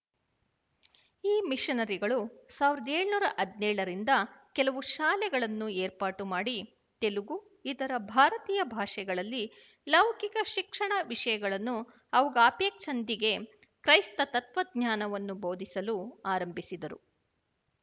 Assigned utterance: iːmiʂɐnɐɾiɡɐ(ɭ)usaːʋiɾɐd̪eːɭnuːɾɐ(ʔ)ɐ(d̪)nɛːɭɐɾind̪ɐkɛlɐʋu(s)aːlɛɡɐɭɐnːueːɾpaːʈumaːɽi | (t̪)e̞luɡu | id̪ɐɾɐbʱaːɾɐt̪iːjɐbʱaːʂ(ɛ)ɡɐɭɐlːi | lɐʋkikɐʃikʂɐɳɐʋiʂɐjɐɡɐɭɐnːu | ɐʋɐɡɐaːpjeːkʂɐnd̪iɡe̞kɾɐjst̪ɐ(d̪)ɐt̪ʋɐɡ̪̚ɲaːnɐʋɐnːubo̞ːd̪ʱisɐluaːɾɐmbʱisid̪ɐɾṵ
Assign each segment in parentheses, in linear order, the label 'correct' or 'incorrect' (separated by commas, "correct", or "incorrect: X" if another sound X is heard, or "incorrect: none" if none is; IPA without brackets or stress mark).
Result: correct, correct, correct, incorrect: ʃ, correct, correct, incorrect: t̪